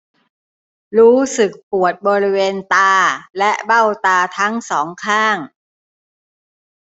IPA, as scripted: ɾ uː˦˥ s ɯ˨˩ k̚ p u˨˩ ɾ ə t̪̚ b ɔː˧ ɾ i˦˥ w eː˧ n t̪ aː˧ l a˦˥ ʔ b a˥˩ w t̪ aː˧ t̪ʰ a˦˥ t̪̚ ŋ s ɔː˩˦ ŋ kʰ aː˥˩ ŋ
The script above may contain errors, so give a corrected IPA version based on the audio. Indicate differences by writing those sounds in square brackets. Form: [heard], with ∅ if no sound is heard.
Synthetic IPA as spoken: ɾ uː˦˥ s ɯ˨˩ k̚ p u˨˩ [∅] ə t̪̚ b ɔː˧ ɾ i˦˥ w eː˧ n t̪ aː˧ l [ɛ˦˥] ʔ b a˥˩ w t̪ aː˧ t̪ʰ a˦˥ [∅] ŋ s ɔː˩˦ ŋ kʰ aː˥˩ ŋ